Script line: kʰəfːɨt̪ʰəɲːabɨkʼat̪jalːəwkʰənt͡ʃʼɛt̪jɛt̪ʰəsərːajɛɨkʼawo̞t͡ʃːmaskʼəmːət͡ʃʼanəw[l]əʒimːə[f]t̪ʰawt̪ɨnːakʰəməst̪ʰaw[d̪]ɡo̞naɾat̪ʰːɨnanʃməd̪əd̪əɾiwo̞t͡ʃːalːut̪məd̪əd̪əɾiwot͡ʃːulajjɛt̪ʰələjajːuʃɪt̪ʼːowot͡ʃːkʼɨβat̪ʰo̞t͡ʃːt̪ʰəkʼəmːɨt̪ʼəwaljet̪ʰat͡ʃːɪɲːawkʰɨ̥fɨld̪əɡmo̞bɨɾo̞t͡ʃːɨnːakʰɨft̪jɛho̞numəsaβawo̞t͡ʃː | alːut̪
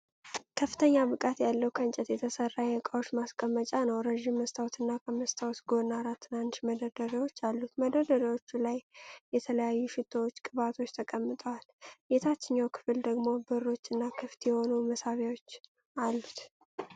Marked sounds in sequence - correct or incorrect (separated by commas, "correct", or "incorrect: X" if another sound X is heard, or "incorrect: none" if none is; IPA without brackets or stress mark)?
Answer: incorrect: ɾ, incorrect: s, incorrect: t̪